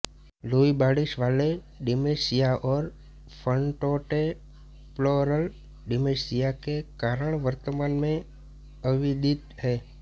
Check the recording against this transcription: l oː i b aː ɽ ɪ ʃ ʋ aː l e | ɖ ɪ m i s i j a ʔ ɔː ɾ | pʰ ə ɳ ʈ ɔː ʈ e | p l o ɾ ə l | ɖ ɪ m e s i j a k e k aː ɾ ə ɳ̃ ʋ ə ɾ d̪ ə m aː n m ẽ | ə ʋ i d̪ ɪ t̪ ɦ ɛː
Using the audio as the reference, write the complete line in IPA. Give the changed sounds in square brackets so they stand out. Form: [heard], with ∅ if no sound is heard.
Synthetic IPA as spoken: l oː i b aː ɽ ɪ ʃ ʋ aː l e | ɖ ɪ m [e] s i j a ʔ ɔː ɾ | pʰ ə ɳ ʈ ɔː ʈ e | p l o ɾ ə l | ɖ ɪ m e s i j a k e k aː ɾ ə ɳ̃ ʋ ə ɾ [t̪] ə m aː n m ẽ | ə ʋ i d̪ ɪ t̪ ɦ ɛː